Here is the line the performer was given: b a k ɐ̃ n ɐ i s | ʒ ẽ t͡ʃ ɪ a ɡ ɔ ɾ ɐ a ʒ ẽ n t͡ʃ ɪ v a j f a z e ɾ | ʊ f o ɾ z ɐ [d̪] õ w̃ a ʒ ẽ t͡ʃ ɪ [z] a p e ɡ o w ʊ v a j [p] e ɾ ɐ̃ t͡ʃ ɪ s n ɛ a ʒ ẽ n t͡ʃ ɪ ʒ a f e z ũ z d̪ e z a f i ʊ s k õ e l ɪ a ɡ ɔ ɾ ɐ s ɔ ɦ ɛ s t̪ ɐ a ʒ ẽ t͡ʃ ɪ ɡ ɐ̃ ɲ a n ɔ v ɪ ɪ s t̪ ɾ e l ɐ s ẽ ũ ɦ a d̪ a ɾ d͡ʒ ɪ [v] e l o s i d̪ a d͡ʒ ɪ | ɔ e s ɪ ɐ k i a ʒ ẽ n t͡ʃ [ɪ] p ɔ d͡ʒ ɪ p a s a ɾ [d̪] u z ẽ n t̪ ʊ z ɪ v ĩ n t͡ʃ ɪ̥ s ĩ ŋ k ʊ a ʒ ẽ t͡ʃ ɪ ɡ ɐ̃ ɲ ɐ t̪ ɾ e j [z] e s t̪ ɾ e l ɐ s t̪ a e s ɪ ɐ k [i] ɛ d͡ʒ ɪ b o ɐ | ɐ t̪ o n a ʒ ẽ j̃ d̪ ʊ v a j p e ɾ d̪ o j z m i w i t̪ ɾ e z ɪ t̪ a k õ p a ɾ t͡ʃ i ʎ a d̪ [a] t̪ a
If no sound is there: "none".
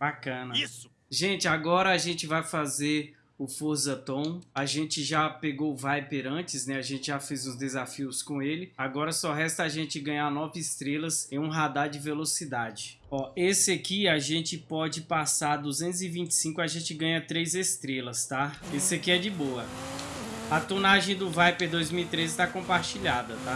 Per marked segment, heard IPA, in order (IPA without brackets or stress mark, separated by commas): t̪, ʒ, p, v, ɪ, d̪, z, i, ɐ